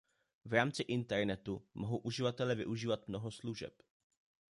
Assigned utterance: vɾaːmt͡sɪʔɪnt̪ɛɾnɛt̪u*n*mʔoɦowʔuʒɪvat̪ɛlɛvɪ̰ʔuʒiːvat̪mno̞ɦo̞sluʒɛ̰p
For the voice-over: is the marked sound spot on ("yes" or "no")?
no